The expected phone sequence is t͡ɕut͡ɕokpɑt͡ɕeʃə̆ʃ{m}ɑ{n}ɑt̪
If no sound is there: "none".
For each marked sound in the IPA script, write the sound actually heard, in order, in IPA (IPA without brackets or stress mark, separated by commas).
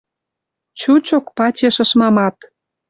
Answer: m, m